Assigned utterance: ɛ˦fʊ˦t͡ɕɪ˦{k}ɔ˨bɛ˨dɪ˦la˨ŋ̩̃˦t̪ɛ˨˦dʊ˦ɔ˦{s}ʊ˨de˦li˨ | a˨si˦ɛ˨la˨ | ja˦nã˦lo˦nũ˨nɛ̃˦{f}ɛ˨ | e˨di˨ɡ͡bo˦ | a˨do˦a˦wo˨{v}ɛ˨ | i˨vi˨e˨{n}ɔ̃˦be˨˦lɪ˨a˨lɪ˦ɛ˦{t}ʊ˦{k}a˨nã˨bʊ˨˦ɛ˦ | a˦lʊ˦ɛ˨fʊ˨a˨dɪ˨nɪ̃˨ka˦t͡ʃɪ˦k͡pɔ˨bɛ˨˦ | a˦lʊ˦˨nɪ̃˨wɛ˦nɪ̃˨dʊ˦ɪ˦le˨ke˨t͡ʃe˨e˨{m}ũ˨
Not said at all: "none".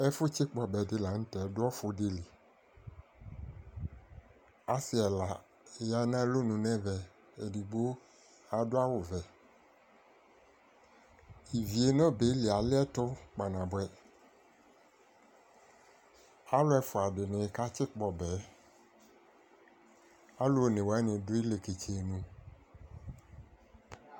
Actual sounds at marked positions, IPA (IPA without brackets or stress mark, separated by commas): k͡p, f, v, v, n, t, k͡p, n